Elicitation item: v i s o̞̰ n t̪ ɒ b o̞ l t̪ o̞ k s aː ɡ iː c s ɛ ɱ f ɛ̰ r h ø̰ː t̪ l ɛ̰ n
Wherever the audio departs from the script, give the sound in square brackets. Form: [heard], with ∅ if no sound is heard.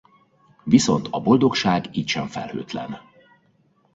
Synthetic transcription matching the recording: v i s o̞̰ n t̪ ɒ b o̞ l [d̪] o̞ k [ʃ] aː ɡ iː c [ʃ] ɛ ɱ f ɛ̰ [l] h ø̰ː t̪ l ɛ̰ n